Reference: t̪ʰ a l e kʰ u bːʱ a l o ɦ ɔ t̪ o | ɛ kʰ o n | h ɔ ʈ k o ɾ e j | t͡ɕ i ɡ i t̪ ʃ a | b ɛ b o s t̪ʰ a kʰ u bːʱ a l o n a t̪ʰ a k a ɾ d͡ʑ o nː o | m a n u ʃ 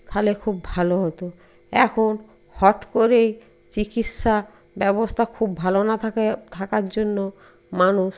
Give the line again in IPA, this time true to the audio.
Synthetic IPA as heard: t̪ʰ a l e kʰ u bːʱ a l o ɦ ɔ t̪ o | ɛ kʰ o n | h ɔ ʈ k o ɾ e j | t͡ɕ i k i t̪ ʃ a | b ɛ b o s t̪ʰ a kʰ u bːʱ a l o n a t̪ʰ a k a ɾ d͡ʑ o nː o | m a n u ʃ